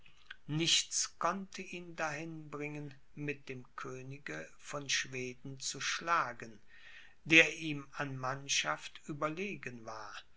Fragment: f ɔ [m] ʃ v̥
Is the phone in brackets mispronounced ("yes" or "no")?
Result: yes